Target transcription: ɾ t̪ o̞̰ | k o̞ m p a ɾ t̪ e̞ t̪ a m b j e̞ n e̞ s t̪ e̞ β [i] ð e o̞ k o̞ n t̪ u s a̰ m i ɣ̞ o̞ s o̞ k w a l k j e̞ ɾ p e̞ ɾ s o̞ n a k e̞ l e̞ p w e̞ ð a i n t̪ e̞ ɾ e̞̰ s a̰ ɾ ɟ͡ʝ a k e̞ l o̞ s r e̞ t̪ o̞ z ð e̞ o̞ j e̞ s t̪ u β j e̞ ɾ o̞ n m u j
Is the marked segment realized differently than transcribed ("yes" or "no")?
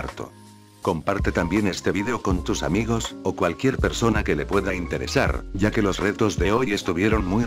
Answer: no